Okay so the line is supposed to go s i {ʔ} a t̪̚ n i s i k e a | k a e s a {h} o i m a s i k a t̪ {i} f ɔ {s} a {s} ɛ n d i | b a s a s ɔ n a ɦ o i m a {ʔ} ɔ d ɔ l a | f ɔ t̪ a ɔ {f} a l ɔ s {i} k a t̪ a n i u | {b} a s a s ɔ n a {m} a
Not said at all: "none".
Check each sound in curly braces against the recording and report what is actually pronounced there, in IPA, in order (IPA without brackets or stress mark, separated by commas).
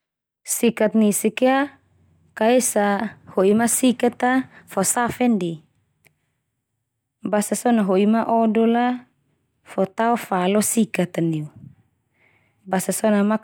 k, h, a, s, f, ʔ, f, i, b, m